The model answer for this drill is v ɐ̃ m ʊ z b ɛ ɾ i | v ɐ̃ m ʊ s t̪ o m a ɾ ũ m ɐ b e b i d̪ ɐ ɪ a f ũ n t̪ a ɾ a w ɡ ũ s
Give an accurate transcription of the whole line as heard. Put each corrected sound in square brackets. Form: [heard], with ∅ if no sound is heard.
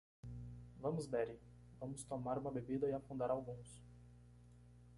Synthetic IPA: v ɐ̃ m ʊ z b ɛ ɾ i | v ɐ̃ m ʊ s t̪ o m a ɾ ũ m ɐ b e b i d̪ ɐ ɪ a f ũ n [d̪] a ɾ a w ɡ ũ s